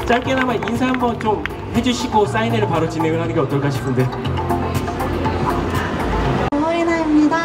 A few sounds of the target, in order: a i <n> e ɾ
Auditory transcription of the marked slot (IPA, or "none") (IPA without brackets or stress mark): n